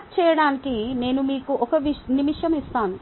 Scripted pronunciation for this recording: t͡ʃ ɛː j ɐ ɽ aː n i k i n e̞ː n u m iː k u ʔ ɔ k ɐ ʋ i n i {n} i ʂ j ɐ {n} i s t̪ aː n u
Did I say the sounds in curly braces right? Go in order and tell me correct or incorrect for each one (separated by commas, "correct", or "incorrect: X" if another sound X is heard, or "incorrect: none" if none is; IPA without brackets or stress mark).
incorrect: m, incorrect: m